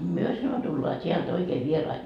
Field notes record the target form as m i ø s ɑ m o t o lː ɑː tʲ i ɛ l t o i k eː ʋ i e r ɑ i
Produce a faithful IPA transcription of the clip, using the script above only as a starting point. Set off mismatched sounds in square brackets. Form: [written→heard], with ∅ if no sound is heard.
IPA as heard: m [i→y] ø s ɑ [m→n] o t [o→u] lː ɑː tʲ i [ɛ→æ] l t o i k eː ʋ i e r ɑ i